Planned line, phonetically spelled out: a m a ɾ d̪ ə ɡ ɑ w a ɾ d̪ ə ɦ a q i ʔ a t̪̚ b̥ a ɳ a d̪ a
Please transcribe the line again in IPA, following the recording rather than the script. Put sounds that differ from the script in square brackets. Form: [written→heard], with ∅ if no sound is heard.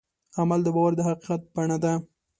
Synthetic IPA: a m a [ɾ→l] d̪ ə [ɡ→b] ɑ w a ɾ d̪ ə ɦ a q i [ʔ→q] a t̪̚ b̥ a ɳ a d̪ a